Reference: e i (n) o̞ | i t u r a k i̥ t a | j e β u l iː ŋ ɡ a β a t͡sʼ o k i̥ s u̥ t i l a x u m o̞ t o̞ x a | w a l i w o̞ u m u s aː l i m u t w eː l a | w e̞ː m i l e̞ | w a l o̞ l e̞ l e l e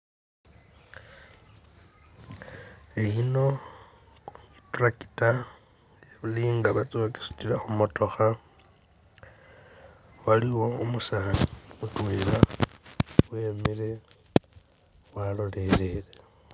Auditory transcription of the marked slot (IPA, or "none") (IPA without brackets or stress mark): n